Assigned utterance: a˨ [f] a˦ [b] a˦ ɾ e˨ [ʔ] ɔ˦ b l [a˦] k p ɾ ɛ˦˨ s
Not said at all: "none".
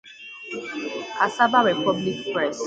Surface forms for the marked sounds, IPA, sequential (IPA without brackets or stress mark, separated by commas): s, b, p, i˦